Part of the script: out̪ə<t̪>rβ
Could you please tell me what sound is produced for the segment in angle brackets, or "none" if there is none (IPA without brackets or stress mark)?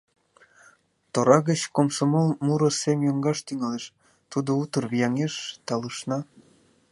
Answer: none